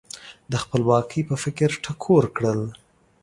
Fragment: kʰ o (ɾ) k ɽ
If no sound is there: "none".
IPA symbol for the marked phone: ɾ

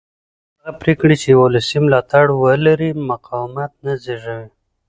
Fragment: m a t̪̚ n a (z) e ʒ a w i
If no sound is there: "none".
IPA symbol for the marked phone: z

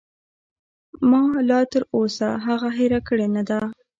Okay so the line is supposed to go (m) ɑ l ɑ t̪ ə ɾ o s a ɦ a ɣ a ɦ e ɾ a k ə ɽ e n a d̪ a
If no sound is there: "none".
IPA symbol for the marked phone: m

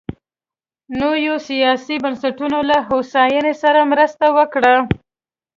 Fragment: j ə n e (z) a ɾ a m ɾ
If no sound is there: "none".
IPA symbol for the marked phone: s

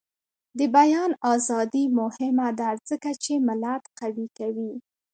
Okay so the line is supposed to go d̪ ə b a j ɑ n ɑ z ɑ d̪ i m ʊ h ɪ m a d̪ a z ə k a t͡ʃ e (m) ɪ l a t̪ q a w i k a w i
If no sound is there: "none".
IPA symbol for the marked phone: m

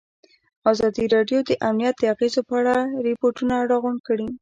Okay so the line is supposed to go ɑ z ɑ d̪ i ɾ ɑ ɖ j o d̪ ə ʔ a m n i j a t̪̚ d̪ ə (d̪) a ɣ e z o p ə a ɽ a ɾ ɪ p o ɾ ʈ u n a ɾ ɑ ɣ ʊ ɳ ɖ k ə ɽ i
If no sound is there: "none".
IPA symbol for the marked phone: none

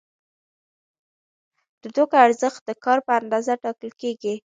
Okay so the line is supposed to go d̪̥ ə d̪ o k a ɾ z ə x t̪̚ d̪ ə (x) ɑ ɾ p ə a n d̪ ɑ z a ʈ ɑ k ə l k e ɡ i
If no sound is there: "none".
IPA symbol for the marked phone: k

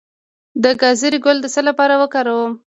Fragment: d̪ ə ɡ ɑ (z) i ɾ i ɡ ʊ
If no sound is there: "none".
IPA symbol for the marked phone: z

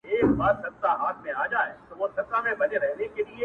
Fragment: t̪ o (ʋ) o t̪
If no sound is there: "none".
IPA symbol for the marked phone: ʋ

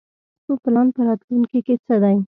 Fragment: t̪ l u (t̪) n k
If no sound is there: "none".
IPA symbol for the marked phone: none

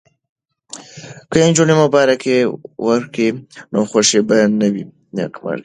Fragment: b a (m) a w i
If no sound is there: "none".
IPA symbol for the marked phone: n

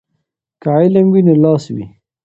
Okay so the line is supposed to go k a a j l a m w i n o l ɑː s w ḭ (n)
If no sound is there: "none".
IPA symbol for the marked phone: none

